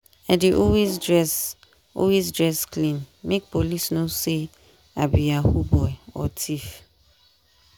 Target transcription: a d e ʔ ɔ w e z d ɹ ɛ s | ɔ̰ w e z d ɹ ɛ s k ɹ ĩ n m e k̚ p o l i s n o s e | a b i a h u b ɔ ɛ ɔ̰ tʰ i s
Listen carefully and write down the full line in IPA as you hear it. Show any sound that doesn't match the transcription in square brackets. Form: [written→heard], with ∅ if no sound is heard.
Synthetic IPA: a d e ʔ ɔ w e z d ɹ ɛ s | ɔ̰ w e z d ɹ ɛ s k [ɹ→l] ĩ n m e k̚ p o l i s n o s e | a b i a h u b ɔ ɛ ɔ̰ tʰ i [s→f]